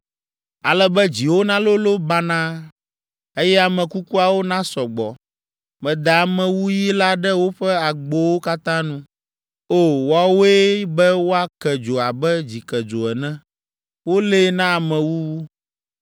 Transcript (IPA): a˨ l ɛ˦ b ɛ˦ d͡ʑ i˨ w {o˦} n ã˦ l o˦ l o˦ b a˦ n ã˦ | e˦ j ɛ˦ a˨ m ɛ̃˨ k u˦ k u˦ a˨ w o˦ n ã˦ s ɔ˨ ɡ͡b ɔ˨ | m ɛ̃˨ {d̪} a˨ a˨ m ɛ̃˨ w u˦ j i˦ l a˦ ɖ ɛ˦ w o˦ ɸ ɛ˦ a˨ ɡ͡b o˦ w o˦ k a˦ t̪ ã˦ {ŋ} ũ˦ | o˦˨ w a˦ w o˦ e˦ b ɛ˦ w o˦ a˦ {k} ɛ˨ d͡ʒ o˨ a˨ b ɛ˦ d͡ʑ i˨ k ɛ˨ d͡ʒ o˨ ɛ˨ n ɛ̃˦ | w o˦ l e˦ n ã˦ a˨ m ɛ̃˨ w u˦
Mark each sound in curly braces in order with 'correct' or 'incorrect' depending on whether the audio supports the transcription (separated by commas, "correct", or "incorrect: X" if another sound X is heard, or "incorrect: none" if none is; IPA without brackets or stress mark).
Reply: correct, correct, incorrect: n, correct